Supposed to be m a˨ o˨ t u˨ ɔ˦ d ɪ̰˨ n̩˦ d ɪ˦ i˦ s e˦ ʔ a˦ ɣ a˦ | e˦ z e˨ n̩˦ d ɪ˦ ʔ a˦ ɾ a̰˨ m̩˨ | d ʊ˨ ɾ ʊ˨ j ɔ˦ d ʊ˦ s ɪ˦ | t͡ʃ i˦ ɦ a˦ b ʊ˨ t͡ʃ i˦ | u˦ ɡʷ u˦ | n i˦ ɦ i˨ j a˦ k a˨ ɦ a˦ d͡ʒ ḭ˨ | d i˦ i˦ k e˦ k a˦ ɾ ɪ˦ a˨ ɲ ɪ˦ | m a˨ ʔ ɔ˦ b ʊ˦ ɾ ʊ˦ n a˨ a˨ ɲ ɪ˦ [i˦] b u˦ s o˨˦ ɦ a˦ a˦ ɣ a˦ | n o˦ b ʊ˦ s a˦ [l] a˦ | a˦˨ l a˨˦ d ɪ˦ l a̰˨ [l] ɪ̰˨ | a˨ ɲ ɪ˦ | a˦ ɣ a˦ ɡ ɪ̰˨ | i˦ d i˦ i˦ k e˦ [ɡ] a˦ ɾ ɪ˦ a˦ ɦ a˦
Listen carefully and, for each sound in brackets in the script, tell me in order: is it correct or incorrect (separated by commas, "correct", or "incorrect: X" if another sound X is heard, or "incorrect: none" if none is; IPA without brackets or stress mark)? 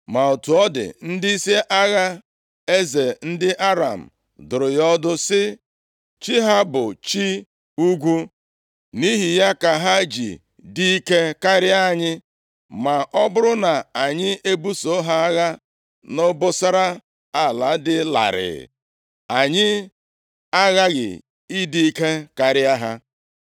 incorrect: e˦, incorrect: ɾ, incorrect: ɾ, incorrect: k